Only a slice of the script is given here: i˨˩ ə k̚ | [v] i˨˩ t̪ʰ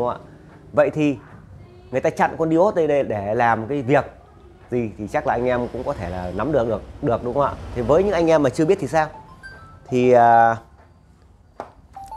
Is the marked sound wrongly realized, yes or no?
yes